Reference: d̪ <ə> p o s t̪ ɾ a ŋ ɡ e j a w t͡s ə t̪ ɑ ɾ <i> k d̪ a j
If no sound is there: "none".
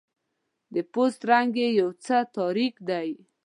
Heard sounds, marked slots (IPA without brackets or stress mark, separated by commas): ə, i